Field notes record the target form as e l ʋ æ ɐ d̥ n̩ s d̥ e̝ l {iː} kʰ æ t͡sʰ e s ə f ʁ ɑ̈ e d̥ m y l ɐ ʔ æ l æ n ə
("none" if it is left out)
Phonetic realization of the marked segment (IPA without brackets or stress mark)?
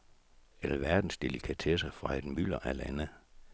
i